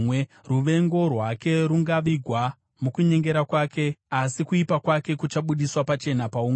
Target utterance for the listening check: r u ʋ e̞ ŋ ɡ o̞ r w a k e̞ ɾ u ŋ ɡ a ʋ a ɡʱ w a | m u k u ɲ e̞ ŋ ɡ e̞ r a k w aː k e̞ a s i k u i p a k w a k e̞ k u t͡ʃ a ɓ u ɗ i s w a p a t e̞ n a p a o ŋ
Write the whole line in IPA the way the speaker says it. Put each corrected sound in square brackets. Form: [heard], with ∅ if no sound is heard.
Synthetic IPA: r u ʋ e̞ ŋ ɡ o̞ r w a k e̞ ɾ u ŋ ɡ a ʋ [i] ɡʱ w a | m u k u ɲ e̞ ŋ ɡ e̞ [ɾ] a k w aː k e̞ a s i k u i p a k w a k e̞ k u t͡ʃ a ɓ u ɗ i s w a p a [t͡ʃ] e̞ n a p a [u] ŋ

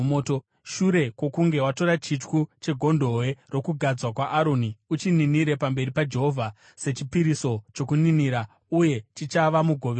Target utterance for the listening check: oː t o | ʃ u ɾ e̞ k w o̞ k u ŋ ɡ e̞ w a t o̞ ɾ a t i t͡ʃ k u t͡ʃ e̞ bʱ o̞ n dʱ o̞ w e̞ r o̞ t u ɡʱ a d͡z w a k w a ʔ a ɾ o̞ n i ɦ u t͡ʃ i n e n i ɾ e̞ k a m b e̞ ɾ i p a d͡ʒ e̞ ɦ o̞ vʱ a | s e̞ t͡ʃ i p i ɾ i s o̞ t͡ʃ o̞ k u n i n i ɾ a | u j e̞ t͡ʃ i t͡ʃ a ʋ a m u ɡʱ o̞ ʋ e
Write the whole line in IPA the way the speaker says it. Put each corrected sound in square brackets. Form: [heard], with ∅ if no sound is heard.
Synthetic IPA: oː t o | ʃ u ɾ e̞ k w o̞ k u ŋ ɡ e̞ w a t o̞ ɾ a [t͡ʃ] i t͡ʃ k u t͡ʃ e̞ [ɡʱ] o̞ n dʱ o̞ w e̞ r o̞ [k] u ɡʱ a d͡z w a k w a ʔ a ɾ o̞ n i [∅] u t͡ʃ i n [i] n i ɾ e̞ [p] a m b e̞ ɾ i p a d͡ʒ e̞ ɦ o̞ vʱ a | s e̞ t͡ʃ i p i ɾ i s o̞ t͡ʃ o̞ k u n i n i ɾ a | u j e̞ t͡ʃ i t͡ʃ a ʋ a m u ɡʱ o̞ ʋ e

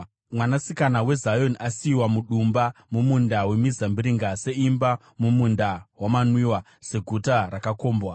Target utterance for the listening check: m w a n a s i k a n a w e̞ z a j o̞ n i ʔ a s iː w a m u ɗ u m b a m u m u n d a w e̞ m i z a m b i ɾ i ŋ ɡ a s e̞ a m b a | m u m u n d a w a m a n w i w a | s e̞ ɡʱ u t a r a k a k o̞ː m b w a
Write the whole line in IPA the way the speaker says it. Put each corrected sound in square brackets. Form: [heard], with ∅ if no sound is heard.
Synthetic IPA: m w a n a s i k a n a w e̞ z a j o̞ n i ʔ a s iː w a m u ɗ u m b a m u m u n d a w e̞ m i z a m b i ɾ i ŋ ɡ a s e̞ [i] m b a | m u m u n d a w a m a n w i w a | s e̞ ɡʱ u t a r a k a k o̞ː m b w a

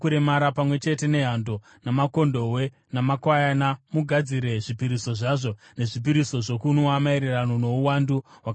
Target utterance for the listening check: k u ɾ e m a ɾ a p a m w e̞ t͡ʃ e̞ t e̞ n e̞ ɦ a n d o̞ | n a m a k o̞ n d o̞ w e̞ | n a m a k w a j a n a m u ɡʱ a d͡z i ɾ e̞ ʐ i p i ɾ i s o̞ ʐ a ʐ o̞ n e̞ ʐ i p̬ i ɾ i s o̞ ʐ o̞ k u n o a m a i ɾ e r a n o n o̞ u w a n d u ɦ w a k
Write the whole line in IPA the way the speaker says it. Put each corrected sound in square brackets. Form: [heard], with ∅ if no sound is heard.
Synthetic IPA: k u ɾ e m a ɾ a p a m w e̞ t͡ʃ e̞ t e̞ n e̞ ɦ a n d o̞ | n a m a k o̞ n d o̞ w e̞ | n a m a k w a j a n a m u ɡʱ a d͡z i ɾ e̞ ʐ i p i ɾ i s o̞ ʐ a ʐ o̞ n e̞ ʐ i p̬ i ɾ i s o̞ ʐ o̞ k u n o a m a i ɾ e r a n o n o̞ u w a n d u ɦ w a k

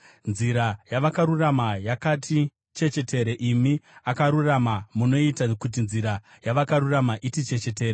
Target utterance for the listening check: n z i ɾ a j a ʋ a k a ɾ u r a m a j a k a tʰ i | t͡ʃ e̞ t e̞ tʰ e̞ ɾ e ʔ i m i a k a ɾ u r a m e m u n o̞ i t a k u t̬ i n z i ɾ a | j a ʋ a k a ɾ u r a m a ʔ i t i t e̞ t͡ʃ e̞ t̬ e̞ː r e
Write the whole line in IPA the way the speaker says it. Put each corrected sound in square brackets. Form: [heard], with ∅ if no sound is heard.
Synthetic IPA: n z i ɾ a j a ʋ a k a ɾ u r a m a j a k a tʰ i | t͡ʃ e̞ [t͡ʃ] e̞ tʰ e̞ ɾ e ʔ i m i a k a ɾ u r a m [a] m u n o̞ i t a k u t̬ i n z i ɾ a | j a ʋ a k a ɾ u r a m a ʔ i t i [t͡ʃ] e̞ t͡ʃ e̞ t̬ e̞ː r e

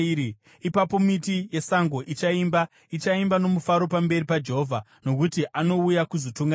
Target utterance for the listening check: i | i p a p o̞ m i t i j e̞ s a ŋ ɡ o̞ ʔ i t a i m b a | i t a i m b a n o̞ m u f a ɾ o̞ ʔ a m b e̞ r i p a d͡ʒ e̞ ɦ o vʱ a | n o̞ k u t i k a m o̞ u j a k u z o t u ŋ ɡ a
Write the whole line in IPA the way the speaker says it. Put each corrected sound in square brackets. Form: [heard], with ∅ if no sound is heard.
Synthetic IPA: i | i p a p o̞ m i t i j e̞ s a ŋ ɡ o̞ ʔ i [t͡ʃ] a i m b a | i [t͡ʃ] a i m b a n o̞ m u f a ɾ o̞ [p] a m b e̞ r i p a d͡ʒ e̞ ɦ o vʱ a | n o̞ k u t i [ʔ] a [n] o̞ u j a k u z o t u ŋ ɡ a

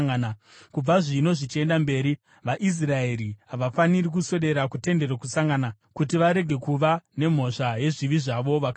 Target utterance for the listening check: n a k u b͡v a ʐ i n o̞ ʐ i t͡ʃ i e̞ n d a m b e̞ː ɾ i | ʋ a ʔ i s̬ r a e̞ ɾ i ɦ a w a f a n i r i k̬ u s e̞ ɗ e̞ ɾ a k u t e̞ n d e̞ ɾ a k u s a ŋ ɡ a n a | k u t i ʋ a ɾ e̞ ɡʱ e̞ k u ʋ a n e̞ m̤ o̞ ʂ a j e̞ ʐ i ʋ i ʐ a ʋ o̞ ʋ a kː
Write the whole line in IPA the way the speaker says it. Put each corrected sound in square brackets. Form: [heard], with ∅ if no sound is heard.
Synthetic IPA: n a k u b͡v a ʐ i n o̞ ʐ i t͡ʃ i e̞ n d a m b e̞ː ɾ i | ʋ a ʔ i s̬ r a e̞ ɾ i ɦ a [ʋ] a f a n i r i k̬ u s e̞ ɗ e̞ ɾ a k u t e̞ n d e̞ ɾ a k u s a ŋ ɡ a n a | k u t i ʋ a ɾ e̞ ɡʱ e̞ k u ʋ a n e̞ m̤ o̞ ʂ a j e̞ ʐ i ʋ i ʐ a ʋ o̞ ʋ a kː

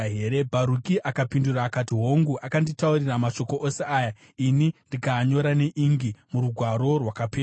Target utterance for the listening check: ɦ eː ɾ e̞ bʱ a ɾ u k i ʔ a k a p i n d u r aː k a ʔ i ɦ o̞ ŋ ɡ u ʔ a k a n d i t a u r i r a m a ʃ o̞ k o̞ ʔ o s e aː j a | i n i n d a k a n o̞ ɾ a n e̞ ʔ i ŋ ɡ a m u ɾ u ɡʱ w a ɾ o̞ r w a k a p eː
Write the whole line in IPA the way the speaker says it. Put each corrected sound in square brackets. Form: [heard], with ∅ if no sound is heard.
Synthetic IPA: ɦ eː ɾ e̞ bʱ a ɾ u k i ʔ a k a p i n d u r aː k a [t] i ɦ o̞ ŋ ɡ u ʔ a k a n d i t a u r i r a m a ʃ o̞ k o̞ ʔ o s e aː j a | i n i n d [i] k a [ɲ] o̞ ɾ a n e̞ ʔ i ŋ ɡ [i] m u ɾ u ɡʱ w a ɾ o̞ r w a k a p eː

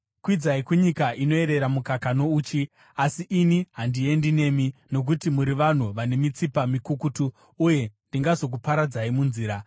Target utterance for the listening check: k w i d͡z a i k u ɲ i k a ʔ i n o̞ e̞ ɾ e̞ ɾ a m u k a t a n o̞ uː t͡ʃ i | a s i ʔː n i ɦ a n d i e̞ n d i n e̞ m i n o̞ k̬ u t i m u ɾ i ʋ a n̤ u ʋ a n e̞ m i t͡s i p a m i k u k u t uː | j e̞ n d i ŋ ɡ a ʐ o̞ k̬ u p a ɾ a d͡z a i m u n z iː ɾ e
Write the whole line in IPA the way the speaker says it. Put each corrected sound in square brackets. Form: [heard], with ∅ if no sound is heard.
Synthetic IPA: k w i d͡z a i k u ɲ i k a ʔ i n o̞ e̞ ɾ e̞ ɾ a m u k a [k] a n o̞ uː t͡ʃ i | a s i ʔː n i ɦ a n d i e̞ n d i n e̞ m i n o̞ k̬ u t i m u ɾ i ʋ a n̤ u ʋ a n e̞ m i t͡s i p a m i k u k u t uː | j e̞ n d i ŋ ɡ a [z] o̞ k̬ u p a ɾ a d͡z a i m u n z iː ɾ [a]

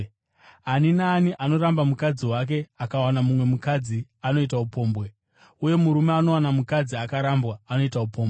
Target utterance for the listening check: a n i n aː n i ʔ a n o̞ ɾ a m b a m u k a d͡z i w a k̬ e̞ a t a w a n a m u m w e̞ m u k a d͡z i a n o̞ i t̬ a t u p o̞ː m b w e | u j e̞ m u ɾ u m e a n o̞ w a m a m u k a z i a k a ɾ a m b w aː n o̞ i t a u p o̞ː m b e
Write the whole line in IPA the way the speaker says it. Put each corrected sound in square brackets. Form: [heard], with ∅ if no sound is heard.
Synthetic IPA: a n i n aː n i ʔ a n o̞ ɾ a m b a m u k a d͡z i w a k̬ e̞ a [k] a w a n a m u m w e̞ m u k a d͡z i a n o̞ i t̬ a [∅] u p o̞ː m b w e | u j e̞ m u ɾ u m e a n o̞ w a [n] a m u k a [d͡z] i a k a ɾ a m b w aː n o̞ i t a u p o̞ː m b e

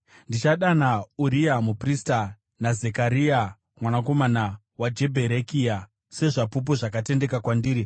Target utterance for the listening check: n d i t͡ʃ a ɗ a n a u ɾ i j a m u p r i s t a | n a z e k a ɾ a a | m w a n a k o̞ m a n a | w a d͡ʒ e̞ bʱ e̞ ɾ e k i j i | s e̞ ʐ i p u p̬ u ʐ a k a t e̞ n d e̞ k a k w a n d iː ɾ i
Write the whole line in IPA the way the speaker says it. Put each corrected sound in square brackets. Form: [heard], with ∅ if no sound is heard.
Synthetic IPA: n d i t͡ʃ a ɗ a n a u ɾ i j a m u p r i s t a | n a z e k a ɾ [i] a | m w a n a k o̞ m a n a | w a d͡ʒ e̞ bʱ e̞ ɾ e k i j [a] | s e̞ ʐ [a] p u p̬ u ʐ a k a t e̞ n d e̞ k a k w a n d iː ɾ i

